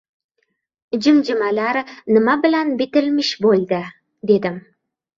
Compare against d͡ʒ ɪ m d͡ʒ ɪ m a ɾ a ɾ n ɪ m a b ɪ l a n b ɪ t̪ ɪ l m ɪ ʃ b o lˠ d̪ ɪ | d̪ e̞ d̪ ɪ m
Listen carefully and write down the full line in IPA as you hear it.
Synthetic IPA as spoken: d͡ʒ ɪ m d͡ʒ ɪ m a l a ɾ n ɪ m a b ɪ l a n b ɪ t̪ ɪ l m ɪ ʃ b o lˠ d̪ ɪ | d̪ e̞ d̪ ɪ m